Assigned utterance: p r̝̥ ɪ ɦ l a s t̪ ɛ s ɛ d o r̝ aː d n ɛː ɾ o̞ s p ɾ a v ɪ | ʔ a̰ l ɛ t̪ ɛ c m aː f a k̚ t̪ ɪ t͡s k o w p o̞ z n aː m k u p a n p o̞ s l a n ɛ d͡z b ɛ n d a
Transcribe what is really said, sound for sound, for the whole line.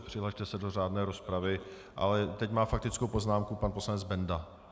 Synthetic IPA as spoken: p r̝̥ ɪ ɦ l a ʃ t̪ ɛ s ɛ d o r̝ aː d n ɛː ɾ o̞ s p ɾ a v ɪ | ʔ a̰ l ɛ t̪ ɛ c m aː f a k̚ t̪ ɪ t͡s k o w p o̞ z n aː m k u p a n p o̞ s l a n ɛ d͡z b ɛ n d a